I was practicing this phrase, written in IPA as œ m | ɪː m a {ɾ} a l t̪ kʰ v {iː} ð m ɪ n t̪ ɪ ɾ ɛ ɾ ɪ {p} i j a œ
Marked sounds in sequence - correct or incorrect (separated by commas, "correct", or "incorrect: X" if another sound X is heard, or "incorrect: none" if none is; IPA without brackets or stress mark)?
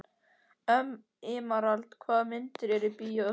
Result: correct, incorrect: aː, correct